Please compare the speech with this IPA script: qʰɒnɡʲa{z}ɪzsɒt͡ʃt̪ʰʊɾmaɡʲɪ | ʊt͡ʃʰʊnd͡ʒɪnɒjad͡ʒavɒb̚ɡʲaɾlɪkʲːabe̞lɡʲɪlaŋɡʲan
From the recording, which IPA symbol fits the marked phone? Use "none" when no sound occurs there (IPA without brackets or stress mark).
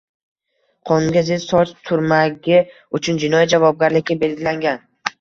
z